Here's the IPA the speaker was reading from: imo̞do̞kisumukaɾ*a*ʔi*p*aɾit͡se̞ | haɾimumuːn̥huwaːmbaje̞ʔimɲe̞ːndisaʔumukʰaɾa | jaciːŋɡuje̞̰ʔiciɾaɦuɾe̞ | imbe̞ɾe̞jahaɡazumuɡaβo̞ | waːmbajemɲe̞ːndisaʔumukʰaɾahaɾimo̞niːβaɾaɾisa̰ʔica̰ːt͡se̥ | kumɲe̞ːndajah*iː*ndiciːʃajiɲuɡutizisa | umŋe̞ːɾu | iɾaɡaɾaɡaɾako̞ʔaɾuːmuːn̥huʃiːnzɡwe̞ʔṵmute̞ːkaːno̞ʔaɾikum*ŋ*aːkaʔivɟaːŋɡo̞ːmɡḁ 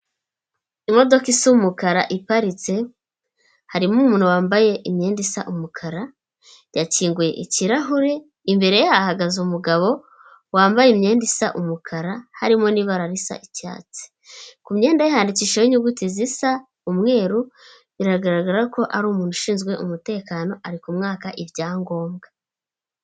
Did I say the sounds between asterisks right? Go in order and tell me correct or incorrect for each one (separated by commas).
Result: correct, correct, incorrect, correct